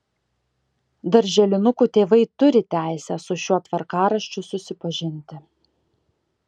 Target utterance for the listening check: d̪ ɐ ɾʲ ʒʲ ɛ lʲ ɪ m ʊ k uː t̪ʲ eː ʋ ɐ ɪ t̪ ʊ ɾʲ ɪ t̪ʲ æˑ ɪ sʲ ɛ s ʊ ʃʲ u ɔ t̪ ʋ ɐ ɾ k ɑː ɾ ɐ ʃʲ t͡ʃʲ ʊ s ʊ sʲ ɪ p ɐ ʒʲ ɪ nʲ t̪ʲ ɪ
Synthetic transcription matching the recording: d̪ ɐ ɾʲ ʒʲ ɛ lʲ ɪ n ʊ k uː t̪ʲ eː ʋ ɐ ɪ t̪ ʊ ɾʲ ɪ t̪ʲ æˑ ɪ sʲ ɛ s ʊ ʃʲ u ɔ t̪ ʋ ɐ ɾ k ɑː ɾ ɐ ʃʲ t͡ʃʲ ʊ s ʊ sʲ ɪ p ɐ ʒʲ ɪ nʲ t̪ʲ ɪ